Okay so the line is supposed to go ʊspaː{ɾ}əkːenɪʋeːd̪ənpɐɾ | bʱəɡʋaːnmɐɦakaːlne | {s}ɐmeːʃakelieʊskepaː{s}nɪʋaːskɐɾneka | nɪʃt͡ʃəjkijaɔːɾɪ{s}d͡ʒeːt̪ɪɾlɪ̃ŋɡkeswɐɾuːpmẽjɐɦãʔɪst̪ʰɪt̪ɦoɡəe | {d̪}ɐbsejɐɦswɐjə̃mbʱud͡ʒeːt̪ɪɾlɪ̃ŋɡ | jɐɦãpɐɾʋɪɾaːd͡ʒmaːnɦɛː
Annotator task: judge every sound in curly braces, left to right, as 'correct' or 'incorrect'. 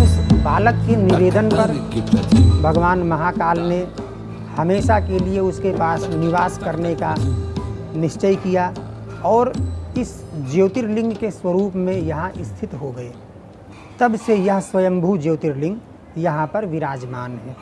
incorrect, incorrect, correct, correct, incorrect

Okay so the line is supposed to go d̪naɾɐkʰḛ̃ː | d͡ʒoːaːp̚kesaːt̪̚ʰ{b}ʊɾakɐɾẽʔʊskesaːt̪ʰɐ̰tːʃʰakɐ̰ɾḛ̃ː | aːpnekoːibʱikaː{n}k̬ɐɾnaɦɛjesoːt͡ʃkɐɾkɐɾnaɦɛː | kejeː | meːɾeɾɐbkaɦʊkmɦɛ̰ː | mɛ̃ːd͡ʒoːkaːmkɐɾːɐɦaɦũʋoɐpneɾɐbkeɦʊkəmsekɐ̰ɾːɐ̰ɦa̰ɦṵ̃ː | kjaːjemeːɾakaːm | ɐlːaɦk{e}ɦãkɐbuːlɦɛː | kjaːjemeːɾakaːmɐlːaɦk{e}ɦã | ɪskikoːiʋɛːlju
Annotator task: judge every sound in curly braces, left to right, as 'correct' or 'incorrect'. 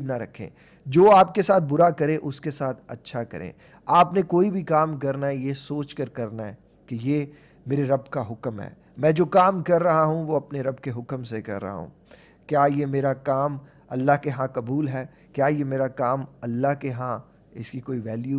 correct, incorrect, correct, correct

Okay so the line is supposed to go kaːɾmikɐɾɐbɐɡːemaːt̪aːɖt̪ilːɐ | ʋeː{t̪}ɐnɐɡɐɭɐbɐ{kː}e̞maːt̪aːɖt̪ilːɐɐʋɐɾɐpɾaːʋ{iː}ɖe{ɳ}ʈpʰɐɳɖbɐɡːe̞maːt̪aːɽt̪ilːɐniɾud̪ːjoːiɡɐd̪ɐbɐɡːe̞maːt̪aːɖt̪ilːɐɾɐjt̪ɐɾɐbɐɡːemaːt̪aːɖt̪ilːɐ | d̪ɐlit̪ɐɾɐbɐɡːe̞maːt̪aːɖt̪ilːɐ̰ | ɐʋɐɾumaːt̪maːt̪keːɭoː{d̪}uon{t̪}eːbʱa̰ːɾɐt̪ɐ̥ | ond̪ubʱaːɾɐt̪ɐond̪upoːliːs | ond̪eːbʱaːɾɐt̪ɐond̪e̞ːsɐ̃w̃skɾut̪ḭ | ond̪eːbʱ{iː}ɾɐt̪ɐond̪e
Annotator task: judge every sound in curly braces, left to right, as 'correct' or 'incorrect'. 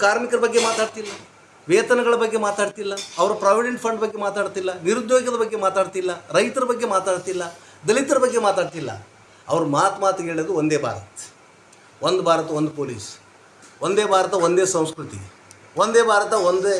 correct, incorrect, incorrect, correct, correct, incorrect, incorrect

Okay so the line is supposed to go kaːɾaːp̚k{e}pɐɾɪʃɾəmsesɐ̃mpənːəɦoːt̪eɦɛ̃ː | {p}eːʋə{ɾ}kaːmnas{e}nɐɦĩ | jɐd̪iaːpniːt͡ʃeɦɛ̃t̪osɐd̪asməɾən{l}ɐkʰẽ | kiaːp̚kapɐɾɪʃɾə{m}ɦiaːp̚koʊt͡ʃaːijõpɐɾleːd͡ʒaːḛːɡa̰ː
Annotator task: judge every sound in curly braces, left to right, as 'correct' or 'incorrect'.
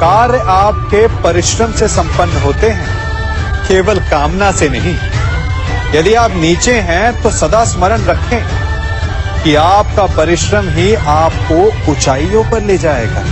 correct, incorrect, incorrect, correct, incorrect, correct

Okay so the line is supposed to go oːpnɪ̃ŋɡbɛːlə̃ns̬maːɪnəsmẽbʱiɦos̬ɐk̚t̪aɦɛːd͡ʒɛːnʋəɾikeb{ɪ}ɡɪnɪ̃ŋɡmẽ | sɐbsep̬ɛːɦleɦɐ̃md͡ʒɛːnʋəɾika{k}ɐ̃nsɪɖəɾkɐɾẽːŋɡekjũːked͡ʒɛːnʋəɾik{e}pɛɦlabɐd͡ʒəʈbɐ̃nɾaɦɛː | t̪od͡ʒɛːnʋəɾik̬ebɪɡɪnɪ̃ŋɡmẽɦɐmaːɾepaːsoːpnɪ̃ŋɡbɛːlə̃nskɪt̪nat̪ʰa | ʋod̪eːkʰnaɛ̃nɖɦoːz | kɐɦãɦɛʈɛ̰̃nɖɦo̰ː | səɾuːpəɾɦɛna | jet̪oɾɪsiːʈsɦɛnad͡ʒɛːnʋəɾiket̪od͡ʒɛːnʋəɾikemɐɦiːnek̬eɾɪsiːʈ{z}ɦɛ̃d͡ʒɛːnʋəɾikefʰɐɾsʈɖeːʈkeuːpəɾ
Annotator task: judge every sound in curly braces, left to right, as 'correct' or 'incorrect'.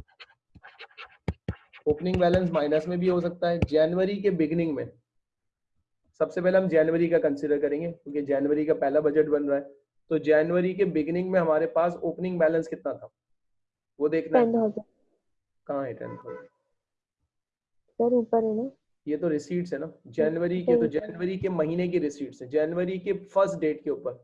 correct, correct, incorrect, incorrect

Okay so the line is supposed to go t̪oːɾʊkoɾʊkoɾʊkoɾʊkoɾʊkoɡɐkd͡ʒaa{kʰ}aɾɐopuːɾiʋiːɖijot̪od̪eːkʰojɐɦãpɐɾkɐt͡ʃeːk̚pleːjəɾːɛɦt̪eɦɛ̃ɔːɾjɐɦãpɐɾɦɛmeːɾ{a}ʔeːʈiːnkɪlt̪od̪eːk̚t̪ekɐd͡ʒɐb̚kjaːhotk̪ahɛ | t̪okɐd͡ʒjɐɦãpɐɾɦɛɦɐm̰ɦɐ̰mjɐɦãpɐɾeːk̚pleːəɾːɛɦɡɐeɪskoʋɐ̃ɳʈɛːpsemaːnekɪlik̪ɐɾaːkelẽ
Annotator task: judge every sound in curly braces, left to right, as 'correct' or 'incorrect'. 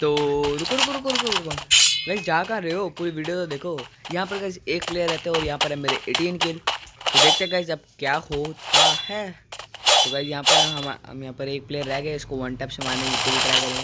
incorrect, incorrect

